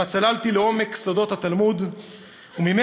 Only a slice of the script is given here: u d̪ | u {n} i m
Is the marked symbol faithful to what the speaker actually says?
no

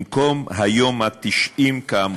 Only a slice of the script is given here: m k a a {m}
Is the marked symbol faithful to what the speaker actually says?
yes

